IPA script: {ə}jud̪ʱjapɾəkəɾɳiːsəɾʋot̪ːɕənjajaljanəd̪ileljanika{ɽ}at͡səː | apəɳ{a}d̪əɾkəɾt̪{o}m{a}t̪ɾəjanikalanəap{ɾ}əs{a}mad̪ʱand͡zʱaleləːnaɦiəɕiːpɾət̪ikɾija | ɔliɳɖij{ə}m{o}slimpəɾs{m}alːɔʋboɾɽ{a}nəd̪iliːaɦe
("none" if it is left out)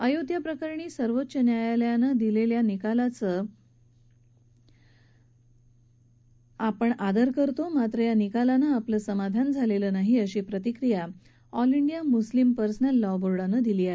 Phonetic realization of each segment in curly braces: ə, l, a, o, a, l, ə, a, u, n, a

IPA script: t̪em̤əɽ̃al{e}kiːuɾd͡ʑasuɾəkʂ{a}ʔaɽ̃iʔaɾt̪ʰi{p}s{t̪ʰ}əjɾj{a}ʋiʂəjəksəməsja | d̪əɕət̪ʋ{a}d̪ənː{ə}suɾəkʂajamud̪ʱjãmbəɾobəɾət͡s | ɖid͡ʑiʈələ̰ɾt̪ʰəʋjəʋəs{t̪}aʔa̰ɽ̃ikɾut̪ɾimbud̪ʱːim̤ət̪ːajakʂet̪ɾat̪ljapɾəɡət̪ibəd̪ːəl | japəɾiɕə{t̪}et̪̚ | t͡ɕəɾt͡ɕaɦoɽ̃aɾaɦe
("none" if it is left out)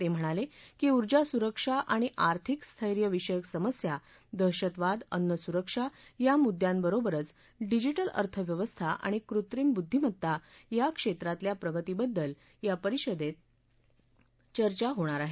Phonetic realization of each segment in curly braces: e, a, k, t̪ʰ, ə, a, ə, t̪ʰ, d̪

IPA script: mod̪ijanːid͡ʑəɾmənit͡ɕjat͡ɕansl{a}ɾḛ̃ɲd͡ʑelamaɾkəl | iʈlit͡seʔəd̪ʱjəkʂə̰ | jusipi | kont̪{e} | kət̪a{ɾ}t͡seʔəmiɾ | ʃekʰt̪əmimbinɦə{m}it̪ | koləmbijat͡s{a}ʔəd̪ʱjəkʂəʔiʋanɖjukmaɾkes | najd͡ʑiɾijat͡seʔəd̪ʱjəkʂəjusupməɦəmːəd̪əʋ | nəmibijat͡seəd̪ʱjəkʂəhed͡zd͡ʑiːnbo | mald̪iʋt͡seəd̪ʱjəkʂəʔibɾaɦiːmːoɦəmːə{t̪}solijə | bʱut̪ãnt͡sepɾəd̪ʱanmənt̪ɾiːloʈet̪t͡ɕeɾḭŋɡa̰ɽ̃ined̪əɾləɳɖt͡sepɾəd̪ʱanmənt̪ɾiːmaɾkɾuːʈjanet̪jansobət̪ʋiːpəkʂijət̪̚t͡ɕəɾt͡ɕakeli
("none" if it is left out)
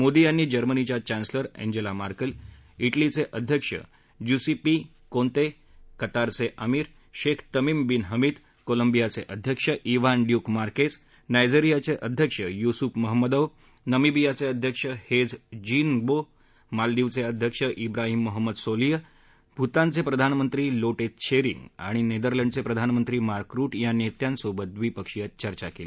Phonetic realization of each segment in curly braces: ə, e, ɾ, m, e, d̪

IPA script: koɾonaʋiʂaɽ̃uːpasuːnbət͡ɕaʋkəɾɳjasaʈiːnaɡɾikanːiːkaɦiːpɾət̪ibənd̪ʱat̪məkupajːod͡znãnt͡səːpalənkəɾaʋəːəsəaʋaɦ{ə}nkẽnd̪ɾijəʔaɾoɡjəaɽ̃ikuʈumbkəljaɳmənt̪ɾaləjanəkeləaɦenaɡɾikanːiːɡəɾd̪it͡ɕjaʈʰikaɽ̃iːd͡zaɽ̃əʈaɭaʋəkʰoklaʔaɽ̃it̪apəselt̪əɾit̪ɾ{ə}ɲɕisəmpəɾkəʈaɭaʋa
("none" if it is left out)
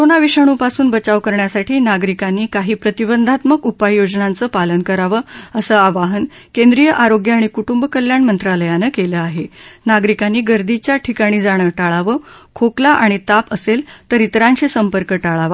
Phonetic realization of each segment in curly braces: ə, a

